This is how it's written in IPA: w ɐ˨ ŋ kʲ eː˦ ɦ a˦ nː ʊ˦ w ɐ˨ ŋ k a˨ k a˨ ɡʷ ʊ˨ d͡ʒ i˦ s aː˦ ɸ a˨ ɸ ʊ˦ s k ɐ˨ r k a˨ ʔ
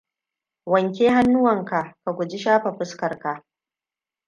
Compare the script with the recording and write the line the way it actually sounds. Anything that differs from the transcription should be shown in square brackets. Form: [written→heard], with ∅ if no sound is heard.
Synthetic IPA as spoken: w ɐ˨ ŋ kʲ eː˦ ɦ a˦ nː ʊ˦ w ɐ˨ ŋ k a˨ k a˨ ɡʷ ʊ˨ d͡ʒ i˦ [s→ʃ] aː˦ ɸ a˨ ɸ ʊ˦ s k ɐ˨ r k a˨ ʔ